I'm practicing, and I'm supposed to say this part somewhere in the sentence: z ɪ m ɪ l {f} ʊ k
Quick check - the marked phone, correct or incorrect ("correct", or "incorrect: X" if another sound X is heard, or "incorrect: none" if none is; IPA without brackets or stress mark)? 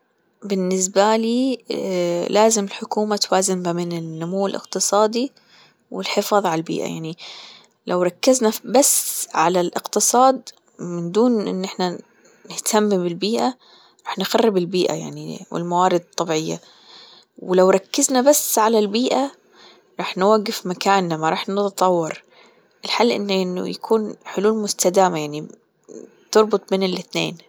incorrect: ħ